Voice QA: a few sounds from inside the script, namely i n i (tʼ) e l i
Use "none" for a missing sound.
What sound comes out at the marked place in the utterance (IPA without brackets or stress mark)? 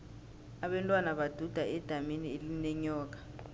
none